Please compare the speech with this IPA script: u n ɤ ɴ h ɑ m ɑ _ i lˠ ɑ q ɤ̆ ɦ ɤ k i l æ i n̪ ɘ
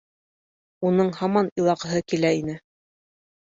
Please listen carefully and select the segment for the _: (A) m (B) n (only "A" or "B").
B